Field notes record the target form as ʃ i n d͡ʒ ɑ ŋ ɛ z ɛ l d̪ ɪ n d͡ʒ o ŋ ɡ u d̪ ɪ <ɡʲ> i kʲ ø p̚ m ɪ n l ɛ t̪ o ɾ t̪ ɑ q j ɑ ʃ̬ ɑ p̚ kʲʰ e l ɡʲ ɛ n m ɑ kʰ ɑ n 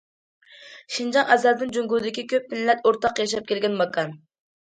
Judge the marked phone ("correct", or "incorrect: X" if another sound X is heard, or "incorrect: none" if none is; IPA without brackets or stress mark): incorrect: kʲ